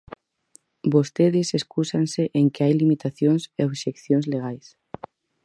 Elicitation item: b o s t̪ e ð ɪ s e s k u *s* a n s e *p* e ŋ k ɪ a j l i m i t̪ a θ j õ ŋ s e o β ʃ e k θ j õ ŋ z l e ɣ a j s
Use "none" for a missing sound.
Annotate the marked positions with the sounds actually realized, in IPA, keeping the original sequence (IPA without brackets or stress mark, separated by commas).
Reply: s, ʔ